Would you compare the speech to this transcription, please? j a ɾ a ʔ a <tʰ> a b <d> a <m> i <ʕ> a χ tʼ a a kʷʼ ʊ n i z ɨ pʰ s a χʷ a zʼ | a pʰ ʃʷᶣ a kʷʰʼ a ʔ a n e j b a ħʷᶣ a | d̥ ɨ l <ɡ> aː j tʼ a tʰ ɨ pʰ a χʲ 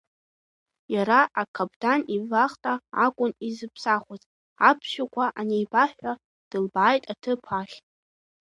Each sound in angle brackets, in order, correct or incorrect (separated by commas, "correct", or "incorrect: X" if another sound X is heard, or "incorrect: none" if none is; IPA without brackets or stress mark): incorrect: kʰ, correct, incorrect: n, incorrect: v, incorrect: b